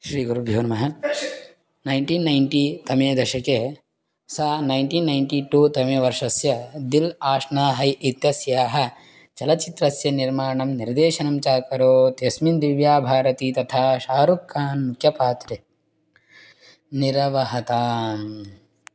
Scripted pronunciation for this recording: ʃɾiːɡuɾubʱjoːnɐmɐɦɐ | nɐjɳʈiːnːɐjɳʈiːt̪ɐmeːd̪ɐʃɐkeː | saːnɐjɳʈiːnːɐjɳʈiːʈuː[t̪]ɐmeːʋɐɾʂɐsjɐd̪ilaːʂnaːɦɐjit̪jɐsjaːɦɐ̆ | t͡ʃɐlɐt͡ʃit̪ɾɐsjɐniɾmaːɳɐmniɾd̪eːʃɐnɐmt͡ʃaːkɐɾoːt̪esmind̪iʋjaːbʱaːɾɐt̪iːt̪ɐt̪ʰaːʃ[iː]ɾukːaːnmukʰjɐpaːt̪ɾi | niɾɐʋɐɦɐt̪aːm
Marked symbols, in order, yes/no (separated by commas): yes, no